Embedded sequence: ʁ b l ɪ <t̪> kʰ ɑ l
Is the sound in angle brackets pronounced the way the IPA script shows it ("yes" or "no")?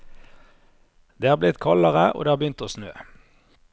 yes